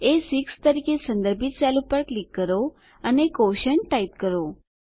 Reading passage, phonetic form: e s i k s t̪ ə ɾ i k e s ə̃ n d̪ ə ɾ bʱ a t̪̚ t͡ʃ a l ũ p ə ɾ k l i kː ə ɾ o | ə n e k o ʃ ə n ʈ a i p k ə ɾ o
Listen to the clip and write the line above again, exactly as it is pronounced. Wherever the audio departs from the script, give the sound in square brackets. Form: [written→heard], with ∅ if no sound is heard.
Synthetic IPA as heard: e s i k s t̪ ə ɾ i k e s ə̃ n d̪ ə ɾ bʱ [a→i] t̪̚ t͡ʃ a l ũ p ə ɾ k l i kː ə ɾ o | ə n e k o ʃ ə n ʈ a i p k ə ɾ o

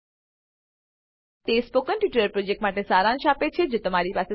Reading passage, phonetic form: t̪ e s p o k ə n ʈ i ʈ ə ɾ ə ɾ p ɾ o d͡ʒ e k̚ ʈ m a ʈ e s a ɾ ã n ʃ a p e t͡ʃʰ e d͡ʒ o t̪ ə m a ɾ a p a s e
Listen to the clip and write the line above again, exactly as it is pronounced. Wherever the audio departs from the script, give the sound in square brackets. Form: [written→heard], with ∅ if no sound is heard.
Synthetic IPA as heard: t̪ e s p o k ə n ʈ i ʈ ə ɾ ə ɾ p ɾ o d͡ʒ e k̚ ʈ m a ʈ e s a ɾ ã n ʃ a p e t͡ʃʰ e d͡ʒ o t̪ ə m a ɾ [a→i] p a s e

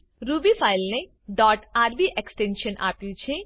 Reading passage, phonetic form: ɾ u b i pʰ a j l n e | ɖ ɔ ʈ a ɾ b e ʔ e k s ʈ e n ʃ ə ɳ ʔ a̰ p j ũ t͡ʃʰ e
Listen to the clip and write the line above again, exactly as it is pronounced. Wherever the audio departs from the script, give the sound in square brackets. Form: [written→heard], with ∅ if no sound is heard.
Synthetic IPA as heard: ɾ u b i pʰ a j l n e | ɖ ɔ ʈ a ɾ b [e→i] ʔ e k s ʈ e n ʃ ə [ɳ→n] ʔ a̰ p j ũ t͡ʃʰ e

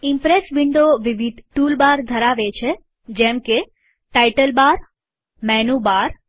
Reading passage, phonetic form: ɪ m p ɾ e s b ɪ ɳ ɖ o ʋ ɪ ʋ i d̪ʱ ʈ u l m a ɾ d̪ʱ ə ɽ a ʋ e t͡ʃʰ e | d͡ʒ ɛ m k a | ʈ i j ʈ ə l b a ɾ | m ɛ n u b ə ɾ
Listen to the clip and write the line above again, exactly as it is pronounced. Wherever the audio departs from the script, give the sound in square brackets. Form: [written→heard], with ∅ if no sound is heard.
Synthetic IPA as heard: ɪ m p ɾ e s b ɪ ɳ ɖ o ʋ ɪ ʋ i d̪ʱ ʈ u l [m→b] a ɾ d̪ʱ ə [ɽ→ɾ] a ʋ e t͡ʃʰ e | d͡ʒ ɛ m k [a→e] | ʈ [i→a] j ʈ ə l b a ɾ | m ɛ n u b [ə→a] ɾ

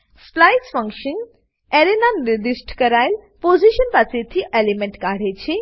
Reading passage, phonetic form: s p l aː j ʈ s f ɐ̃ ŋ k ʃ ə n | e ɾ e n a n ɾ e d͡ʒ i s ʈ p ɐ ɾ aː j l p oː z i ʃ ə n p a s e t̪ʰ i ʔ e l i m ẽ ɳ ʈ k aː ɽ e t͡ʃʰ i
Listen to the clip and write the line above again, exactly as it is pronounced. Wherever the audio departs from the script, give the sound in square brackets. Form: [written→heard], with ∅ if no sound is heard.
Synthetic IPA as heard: s p l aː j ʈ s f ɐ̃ ŋ k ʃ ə n | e ɾ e n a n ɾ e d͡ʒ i s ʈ [p→k] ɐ ɾ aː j l p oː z i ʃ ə n p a s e t̪ʰ i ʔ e l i m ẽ ɳ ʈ k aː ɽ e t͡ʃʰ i

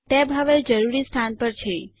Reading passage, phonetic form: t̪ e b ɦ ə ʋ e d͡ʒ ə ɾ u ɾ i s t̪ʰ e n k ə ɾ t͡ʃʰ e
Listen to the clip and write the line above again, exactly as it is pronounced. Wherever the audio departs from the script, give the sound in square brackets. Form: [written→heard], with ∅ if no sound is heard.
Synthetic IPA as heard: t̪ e b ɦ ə ʋ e d͡ʒ ə ɾ u ɾ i s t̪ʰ [e→a] n [k→p] ə ɾ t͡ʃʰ e

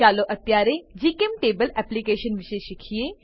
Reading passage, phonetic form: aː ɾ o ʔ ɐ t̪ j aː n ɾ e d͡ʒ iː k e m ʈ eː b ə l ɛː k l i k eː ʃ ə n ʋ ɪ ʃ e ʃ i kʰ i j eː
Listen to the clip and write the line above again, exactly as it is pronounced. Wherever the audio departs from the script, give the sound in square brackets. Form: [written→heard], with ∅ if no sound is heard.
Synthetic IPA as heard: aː [ɾ→l] o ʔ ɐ t̪ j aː [n→∅] ɾ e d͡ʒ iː k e m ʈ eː b ə l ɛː [k→p] l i k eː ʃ ə n ʋ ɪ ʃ e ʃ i kʰ i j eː

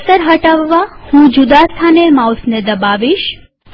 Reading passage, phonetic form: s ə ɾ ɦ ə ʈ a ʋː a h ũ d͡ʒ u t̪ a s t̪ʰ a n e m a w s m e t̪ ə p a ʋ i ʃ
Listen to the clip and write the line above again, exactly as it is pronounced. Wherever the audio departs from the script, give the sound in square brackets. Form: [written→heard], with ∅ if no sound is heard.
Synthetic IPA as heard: s ə ɾ ɦ ə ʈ a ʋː a h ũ d͡ʒ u [t̪→d̪] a s t̪ʰ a n e m a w s [m→n] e [t̪→d̪] ə [p→b] a ʋ i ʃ

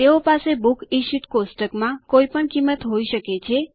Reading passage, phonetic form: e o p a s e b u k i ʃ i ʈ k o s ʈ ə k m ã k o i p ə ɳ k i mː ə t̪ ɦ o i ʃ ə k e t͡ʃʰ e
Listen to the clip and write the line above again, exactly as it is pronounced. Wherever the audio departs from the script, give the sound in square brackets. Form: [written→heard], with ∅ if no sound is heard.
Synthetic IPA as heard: e o p a s e b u k i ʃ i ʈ k o s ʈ ə k m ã k o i p ə ɳ k i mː ə t̪ ɦ o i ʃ ə k e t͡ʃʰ e

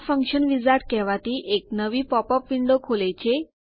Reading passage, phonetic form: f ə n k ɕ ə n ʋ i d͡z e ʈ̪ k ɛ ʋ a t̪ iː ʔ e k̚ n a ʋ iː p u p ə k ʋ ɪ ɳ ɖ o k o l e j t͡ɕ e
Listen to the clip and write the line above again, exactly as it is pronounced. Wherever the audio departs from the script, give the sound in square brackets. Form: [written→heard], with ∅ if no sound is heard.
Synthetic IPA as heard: f ə [n→ŋ] k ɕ ə n ʋ i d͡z [e→a] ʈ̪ k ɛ ʋ a t̪ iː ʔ e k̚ n [a→ə] ʋ iː p [u→ɔ] p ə [k→p] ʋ [ɪ→i] ɳ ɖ o [k→kʰ] o l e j t͡ɕ e

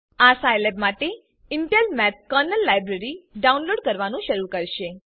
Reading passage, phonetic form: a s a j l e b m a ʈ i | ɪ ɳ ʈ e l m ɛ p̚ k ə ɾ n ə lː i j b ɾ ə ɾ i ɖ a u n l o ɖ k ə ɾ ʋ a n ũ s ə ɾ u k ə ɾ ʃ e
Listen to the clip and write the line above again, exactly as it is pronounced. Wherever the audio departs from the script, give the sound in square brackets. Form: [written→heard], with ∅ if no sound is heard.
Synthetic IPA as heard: a s a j l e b m a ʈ [i→e] | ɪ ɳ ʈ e l m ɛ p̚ k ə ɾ n ə lː [i→a] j b ɾ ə ɾ i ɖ a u n l o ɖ k ə ɾ ʋ a n ũ [s→ʃ] ə ɾ u k ə ɾ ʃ e

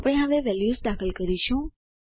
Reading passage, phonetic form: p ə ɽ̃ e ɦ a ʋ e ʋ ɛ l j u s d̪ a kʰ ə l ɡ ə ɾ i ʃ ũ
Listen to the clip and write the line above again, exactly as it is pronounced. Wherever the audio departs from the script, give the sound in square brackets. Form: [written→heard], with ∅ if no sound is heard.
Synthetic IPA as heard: p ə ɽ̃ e ɦ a ʋ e ʋ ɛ l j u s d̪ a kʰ ə l [ɡ→k] ə ɾ i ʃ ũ

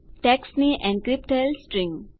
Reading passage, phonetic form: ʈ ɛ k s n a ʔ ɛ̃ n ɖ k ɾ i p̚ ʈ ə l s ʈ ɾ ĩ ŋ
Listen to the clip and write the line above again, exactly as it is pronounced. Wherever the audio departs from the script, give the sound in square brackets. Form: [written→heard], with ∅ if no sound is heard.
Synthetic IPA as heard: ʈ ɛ k s n [a→i] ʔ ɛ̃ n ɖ k ɾ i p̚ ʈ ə l s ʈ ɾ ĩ ŋ

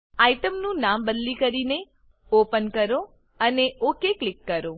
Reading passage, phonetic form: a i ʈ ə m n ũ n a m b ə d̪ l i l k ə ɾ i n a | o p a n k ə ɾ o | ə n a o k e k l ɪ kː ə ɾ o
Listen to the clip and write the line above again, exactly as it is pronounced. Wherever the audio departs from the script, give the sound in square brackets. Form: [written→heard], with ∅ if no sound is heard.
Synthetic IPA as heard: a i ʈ ə m n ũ n a m b ə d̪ l i [l→∅] k ə ɾ i n [a→e] | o p [a→ə] n k ə ɾ o | ə n [a→e] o k e k l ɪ kː ə ɾ o

